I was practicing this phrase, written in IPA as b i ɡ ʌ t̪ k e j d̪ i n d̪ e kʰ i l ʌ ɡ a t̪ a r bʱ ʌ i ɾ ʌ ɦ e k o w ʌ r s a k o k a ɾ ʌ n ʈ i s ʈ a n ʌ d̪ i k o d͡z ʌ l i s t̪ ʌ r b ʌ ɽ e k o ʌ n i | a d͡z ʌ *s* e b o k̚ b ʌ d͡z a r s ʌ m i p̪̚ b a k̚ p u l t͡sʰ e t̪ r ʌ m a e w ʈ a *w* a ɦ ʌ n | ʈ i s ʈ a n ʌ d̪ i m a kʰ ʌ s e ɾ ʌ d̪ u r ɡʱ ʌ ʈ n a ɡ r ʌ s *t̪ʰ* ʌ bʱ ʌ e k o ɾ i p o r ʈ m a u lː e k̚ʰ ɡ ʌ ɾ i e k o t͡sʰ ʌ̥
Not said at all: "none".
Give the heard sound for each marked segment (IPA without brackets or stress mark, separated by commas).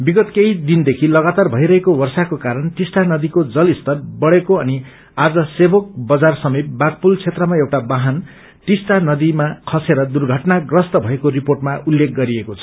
s, b, t̪